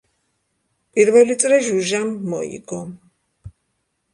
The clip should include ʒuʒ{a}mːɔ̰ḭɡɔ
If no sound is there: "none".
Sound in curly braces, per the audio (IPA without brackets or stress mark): a